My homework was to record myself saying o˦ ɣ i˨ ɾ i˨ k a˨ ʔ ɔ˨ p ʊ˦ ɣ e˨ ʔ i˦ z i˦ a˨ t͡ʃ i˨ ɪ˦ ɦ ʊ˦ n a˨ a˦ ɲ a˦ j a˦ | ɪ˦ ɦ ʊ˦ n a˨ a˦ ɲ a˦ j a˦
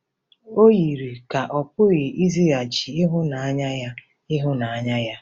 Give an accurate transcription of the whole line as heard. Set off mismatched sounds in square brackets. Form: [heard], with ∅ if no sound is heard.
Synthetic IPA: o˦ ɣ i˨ ɾ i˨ k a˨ ʔ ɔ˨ p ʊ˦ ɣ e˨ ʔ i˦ z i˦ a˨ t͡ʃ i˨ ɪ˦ ɦ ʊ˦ n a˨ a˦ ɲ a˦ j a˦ | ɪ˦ ɦ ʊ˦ n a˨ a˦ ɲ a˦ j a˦

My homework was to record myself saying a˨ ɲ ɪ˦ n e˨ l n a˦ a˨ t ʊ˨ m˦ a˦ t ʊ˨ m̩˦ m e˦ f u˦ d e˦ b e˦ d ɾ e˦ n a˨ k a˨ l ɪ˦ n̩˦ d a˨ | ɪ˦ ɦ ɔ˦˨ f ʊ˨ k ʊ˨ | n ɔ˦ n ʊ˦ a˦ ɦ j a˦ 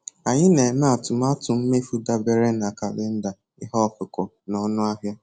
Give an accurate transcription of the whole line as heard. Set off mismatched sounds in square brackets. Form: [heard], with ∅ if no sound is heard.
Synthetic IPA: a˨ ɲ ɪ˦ n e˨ [∅] n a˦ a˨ t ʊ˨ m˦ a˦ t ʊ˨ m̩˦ m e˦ f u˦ d [a˦] b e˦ [∅] ɾ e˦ n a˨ k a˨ l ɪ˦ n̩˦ d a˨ | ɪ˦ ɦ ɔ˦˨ f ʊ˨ k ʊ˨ | n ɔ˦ n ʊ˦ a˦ ɦ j a˦

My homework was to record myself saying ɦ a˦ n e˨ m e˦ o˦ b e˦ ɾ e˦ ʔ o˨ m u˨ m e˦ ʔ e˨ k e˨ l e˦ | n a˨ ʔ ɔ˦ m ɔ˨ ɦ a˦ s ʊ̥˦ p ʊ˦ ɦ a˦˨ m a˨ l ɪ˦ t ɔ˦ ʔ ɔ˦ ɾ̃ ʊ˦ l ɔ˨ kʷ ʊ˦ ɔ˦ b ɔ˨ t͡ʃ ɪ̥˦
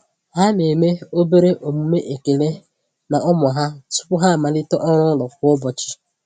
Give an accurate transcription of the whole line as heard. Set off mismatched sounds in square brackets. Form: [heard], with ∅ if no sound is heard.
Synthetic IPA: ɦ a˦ n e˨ m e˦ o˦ b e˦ ɾ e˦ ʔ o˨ m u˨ m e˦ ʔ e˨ k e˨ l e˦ | n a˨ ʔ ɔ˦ m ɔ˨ ɦ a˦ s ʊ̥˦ p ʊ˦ ɦ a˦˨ m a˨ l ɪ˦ t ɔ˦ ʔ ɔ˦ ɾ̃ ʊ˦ l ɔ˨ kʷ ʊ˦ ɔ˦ b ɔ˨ t͡ʃ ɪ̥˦

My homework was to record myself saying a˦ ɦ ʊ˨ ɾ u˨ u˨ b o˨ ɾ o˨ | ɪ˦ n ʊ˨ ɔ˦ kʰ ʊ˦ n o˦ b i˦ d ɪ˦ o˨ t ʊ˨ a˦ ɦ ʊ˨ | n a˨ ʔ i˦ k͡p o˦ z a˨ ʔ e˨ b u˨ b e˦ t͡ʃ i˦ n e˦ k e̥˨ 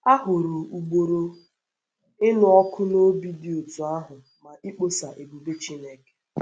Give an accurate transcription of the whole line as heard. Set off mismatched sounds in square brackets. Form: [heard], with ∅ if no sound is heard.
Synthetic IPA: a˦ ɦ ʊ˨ ɾ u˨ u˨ [ɡ͡b] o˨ ɾ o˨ | ɪ˦ n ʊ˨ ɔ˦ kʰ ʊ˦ n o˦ b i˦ d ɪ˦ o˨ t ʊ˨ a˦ ɦ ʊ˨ | [m] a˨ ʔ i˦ k͡p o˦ [s] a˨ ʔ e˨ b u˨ b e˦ t͡ʃ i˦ n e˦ k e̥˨

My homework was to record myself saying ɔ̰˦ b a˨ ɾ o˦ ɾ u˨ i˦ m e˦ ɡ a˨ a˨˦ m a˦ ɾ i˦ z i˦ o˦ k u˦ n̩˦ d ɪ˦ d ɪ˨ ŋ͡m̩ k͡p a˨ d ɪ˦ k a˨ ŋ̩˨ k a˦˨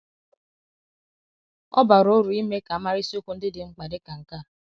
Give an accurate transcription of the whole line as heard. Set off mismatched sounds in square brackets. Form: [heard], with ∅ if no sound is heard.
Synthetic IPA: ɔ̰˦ b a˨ ɾ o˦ ɾ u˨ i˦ m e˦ [k] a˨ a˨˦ m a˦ ɾ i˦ [s] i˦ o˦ k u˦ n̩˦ d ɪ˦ d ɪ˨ ŋ͡m̩ k͡p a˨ d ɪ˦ k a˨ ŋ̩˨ k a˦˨

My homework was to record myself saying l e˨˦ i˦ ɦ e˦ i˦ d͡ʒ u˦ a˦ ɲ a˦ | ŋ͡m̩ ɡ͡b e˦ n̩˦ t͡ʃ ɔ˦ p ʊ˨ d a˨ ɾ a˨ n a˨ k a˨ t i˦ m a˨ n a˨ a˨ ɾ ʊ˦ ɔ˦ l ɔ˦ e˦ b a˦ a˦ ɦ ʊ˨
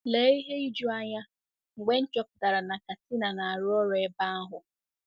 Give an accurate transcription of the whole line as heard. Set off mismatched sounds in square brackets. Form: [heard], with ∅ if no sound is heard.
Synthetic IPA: l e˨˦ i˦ ɦ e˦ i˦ d͡ʒ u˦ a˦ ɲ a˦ | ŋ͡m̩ ɡ͡b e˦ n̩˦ t͡ʃ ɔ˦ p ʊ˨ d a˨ ɾ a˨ n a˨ k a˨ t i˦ [n] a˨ n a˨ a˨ ɾ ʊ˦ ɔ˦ [ɾ] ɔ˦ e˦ b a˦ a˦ ɦ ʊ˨

